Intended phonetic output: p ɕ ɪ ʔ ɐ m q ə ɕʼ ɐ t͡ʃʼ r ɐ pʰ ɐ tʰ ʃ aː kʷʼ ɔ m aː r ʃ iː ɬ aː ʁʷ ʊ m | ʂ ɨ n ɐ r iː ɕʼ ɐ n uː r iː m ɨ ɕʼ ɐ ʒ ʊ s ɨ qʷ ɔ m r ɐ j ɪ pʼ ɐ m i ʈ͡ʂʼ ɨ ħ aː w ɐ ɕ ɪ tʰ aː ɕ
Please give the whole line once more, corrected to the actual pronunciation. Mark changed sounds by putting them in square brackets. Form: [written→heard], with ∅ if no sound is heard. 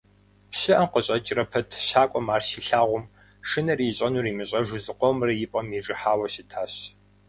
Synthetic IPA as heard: p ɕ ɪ ʔ ɐ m q ə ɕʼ ɐ t͡ʃʼ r ɐ pʰ ɐ tʰ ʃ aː kʷʼ ɔ m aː r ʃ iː ɬ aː ʁʷ ʊ m | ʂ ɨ n ɐ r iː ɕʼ ɐ n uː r iː m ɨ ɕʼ ɐ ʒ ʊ [s→z] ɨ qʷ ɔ m r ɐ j ɪ pʼ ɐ m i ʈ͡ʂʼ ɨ ħ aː w ɐ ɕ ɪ tʰ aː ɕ